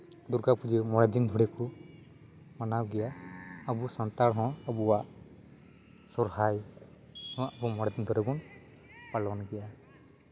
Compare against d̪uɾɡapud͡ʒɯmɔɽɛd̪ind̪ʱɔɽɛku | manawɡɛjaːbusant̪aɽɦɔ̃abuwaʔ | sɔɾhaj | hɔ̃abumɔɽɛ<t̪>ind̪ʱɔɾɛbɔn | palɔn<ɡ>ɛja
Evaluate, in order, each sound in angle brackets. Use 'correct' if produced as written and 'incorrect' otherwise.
incorrect: d̪, correct

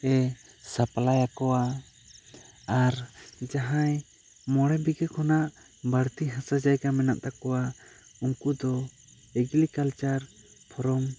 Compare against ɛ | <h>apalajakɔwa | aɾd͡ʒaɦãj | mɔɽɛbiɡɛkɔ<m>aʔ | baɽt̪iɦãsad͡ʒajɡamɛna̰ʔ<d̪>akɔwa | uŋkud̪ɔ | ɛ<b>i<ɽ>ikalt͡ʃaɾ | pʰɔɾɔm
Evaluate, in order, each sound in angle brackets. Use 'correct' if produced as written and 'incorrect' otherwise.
incorrect: s, incorrect: n, incorrect: t̪, incorrect: ɡ, incorrect: l

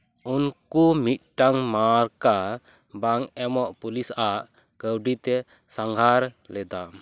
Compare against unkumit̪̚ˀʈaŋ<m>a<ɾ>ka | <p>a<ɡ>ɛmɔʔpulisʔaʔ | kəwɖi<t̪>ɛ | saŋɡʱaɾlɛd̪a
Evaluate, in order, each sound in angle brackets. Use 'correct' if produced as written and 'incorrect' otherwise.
correct, correct, incorrect: b, incorrect: ŋ, correct

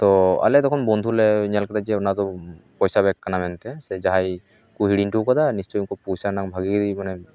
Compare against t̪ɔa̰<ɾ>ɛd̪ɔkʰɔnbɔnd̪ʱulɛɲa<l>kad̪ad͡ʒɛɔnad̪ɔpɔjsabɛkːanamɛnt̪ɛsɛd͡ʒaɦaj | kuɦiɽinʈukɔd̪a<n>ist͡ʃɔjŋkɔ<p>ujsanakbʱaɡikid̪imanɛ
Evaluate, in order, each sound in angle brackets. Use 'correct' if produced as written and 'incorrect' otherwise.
incorrect: l, correct, correct, correct

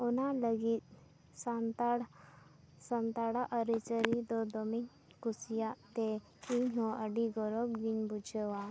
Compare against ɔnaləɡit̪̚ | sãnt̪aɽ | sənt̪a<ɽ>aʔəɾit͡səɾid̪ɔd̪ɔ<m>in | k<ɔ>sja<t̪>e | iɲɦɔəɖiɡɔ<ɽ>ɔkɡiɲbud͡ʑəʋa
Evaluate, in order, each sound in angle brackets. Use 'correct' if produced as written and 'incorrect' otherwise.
correct, correct, incorrect: u, correct, incorrect: ɾ

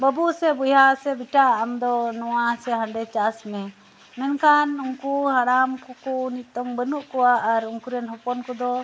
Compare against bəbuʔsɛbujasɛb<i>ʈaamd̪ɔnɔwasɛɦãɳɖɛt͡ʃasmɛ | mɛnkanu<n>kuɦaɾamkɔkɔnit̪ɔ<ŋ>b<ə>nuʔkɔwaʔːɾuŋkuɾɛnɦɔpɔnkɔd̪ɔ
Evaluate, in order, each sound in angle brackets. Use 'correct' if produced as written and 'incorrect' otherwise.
correct, incorrect: ŋ, correct, correct

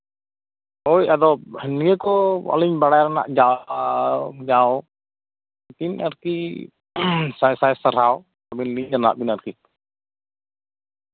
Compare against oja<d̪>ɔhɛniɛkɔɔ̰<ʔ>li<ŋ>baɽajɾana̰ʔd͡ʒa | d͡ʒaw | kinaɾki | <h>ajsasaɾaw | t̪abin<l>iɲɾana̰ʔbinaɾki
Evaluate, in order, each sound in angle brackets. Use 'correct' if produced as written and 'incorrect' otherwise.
correct, incorrect: none, incorrect: ɲ, incorrect: s, correct

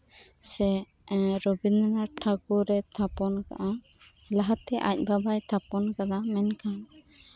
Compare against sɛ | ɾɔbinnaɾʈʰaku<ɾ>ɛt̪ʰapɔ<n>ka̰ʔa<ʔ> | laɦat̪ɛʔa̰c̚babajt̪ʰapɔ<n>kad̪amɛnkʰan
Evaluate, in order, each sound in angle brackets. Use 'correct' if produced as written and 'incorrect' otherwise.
correct, correct, incorrect: none, correct

